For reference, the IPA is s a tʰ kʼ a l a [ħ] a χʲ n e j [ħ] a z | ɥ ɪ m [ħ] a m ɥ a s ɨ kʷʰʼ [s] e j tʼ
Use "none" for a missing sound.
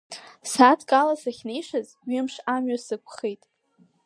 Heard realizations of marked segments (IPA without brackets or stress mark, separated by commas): s, ʂ, ʂ, χ